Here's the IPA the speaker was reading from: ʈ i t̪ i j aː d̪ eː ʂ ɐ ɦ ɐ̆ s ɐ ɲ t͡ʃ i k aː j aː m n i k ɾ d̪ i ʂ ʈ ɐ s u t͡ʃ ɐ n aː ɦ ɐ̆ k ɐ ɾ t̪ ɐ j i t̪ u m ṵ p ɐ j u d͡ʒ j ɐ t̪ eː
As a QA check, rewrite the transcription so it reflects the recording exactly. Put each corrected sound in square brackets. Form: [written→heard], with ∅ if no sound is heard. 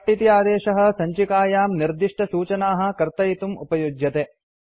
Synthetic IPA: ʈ i t̪ i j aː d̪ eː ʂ ɐ ɦ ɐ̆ s ɐ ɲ t͡ʃ i k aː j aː m n i [k→∅] ɾ d̪ i ʂ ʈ ɐ s [u→uː] t͡ʃ ɐ n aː ɦ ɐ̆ k ɐ ɾ t̪ ɐ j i t̪ u m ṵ p ɐ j u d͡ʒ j ɐ t̪ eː